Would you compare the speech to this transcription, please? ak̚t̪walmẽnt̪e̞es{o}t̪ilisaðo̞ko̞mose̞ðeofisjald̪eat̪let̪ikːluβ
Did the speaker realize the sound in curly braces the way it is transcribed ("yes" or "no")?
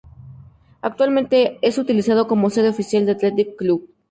no